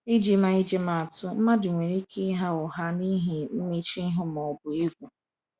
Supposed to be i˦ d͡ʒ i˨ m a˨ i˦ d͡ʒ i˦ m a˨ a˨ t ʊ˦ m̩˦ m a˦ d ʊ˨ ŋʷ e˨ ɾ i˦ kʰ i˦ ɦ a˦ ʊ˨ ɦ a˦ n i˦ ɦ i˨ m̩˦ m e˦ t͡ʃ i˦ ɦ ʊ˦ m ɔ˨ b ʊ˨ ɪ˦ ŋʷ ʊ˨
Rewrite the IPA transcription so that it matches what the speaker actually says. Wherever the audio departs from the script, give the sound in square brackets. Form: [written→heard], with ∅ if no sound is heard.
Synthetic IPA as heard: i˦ d͡ʒ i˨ m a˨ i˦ d͡ʒ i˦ m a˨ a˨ t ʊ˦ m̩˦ m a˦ d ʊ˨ ŋʷ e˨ ɾ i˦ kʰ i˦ ɦ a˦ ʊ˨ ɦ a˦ n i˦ ɦ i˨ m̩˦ m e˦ t͡ʃ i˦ ɦ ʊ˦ m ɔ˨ b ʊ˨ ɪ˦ [ŋʷ→ɡʷ] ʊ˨